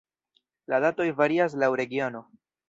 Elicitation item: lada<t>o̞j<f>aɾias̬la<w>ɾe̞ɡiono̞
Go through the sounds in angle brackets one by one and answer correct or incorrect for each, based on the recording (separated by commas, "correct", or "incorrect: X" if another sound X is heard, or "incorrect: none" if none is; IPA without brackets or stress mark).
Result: correct, incorrect: v, correct